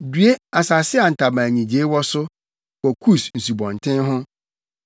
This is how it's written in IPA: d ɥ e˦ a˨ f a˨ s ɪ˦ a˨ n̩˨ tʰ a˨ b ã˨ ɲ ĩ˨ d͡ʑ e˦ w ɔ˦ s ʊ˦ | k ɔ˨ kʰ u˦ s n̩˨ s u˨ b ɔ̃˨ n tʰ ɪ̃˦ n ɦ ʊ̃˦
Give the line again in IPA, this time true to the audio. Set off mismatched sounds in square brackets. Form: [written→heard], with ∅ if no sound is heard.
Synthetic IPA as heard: d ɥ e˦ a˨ [f→s] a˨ s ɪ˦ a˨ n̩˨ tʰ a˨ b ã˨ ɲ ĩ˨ d͡ʑ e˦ w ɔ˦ s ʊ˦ | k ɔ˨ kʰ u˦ s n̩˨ s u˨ b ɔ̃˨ n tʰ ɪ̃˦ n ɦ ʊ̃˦